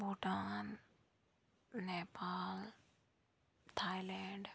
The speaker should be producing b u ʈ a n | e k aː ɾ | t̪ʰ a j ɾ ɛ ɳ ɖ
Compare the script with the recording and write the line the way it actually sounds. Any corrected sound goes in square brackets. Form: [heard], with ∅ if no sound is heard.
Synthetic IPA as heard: b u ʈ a n | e [p] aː [l] | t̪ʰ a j [l] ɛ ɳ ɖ